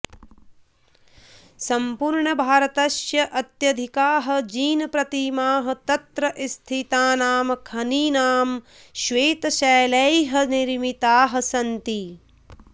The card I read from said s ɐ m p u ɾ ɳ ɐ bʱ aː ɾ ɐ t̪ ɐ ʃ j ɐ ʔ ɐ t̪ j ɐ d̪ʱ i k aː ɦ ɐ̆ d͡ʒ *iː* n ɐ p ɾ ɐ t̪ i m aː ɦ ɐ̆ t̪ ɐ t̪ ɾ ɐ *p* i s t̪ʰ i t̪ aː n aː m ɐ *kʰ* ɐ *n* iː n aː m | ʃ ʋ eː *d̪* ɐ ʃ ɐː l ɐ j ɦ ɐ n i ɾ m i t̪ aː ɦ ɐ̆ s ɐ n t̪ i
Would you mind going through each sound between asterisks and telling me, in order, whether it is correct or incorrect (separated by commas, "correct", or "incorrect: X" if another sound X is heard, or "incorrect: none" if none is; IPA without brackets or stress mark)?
correct, incorrect: ʔ, correct, correct, incorrect: t̪